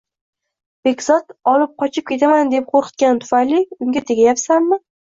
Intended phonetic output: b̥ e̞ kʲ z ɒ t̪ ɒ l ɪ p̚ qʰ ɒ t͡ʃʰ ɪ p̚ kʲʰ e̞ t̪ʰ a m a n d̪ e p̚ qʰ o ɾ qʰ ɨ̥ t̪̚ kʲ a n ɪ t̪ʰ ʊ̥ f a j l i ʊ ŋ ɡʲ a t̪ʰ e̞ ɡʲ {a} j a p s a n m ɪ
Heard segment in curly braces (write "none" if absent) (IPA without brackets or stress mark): a